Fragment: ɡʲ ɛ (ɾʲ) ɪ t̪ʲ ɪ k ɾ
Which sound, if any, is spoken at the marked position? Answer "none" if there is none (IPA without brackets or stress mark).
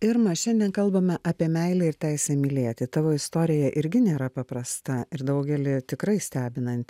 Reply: lʲ